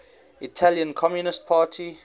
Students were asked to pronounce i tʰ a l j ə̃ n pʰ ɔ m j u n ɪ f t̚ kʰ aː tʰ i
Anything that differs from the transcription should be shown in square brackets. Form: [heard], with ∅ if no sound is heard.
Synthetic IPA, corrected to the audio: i tʰ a l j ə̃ n [kʰ] ɔ m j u n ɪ [s] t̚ [pʰ] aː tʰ i